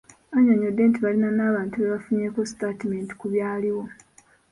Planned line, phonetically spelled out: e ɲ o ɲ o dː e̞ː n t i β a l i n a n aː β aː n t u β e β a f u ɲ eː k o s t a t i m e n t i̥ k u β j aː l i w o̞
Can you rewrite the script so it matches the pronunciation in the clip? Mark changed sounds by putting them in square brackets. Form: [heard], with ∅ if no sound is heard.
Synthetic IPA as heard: [a] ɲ o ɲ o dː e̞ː n t i β a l i n a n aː β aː n t u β e β a f u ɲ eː k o s t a t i m e n t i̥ k u β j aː l i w o̞